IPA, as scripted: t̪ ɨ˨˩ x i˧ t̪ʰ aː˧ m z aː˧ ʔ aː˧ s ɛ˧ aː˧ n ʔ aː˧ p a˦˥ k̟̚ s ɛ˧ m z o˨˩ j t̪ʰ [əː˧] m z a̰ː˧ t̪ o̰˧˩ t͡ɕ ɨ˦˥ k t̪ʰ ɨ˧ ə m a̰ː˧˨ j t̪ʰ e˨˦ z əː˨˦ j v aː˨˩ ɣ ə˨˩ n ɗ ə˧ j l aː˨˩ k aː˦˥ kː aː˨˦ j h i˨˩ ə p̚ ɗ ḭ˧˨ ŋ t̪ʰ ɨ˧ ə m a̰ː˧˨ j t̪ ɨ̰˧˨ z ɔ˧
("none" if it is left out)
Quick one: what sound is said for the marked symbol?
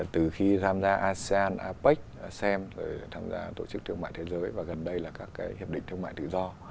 aː˧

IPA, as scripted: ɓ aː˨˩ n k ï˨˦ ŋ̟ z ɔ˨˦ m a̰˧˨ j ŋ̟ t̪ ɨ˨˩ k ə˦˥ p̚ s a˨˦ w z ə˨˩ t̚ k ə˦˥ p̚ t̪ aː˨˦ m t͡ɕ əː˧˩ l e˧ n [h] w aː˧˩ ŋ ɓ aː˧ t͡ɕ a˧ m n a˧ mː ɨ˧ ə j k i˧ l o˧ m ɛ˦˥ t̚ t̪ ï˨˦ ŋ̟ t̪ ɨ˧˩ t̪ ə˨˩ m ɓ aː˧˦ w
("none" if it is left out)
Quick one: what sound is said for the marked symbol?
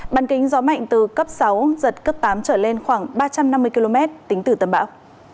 x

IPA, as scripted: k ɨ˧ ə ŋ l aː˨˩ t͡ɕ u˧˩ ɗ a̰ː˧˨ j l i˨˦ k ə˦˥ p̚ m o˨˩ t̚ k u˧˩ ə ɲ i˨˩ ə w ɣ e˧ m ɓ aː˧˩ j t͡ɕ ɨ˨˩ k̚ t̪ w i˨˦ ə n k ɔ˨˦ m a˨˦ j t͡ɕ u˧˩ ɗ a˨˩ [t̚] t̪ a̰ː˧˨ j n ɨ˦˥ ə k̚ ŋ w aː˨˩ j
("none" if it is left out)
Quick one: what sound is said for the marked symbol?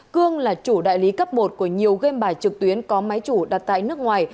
t̚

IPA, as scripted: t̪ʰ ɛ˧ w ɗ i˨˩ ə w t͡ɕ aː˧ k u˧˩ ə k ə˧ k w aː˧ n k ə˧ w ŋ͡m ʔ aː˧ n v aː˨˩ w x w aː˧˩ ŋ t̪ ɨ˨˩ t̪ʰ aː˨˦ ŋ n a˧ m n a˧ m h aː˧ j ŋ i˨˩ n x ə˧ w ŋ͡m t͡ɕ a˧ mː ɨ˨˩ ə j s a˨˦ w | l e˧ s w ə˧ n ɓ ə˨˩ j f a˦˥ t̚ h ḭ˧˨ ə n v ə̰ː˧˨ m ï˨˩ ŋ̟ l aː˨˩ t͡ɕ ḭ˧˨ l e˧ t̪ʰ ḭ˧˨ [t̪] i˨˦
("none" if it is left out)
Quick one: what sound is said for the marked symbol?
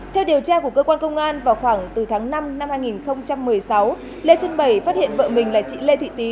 t̪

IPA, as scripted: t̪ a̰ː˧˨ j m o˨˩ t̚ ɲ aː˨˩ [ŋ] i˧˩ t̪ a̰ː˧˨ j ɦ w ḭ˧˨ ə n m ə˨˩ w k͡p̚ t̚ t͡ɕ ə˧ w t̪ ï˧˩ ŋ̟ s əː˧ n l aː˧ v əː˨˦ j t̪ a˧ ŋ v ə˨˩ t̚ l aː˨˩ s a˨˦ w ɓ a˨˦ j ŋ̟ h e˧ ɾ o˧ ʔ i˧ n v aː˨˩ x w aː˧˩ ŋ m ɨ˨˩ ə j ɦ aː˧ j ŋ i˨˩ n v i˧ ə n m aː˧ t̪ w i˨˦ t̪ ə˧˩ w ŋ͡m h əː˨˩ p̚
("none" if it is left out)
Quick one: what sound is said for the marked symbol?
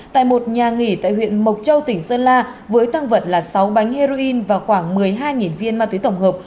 ŋ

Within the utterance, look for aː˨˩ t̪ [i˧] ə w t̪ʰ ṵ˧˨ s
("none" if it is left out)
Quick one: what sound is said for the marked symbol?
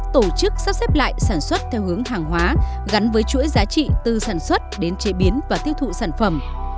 i˦˥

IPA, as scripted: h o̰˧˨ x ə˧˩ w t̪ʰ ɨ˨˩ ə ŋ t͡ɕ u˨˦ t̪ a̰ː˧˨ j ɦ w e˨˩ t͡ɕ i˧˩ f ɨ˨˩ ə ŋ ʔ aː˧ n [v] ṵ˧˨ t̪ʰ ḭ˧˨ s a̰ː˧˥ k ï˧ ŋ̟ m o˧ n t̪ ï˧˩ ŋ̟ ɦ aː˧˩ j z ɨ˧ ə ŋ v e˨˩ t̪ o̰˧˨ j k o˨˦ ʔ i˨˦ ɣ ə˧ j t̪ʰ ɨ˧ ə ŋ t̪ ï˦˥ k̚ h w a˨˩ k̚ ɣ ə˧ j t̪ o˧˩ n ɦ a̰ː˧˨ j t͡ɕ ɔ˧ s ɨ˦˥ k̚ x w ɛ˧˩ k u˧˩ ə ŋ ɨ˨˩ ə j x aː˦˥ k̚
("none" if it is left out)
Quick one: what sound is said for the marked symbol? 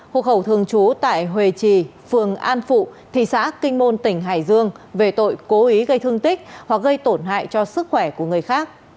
f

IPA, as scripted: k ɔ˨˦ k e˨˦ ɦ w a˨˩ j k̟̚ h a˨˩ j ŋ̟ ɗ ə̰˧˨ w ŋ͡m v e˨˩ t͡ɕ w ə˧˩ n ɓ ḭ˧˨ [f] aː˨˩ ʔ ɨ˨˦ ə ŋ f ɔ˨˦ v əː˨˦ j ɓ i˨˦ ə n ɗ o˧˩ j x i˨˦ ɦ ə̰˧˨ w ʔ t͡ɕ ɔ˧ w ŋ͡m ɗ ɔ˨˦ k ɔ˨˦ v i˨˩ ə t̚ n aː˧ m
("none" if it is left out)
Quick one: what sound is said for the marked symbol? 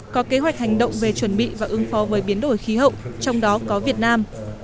v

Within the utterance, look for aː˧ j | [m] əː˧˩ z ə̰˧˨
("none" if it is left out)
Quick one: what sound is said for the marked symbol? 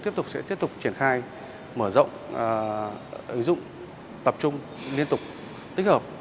m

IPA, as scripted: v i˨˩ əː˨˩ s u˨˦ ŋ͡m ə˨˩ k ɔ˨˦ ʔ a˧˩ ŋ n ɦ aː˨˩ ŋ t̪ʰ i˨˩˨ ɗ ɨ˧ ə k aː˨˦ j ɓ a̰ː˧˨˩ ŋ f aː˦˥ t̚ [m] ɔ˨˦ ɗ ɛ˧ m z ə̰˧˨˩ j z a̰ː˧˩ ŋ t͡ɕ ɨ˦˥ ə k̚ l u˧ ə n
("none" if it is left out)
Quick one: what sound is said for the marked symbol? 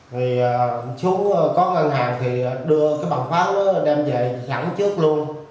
n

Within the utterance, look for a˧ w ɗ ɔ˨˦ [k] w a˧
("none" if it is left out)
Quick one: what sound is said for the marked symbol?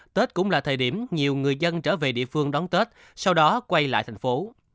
k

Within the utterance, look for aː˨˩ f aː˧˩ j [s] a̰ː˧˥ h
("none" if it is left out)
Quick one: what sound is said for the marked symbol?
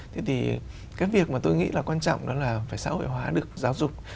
s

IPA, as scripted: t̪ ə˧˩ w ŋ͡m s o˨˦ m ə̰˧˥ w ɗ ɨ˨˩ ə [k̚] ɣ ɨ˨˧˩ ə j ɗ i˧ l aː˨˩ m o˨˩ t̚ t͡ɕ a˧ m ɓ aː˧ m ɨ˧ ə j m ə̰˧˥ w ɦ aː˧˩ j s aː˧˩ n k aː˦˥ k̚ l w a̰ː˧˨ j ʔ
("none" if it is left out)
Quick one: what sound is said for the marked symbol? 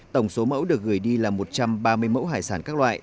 k̚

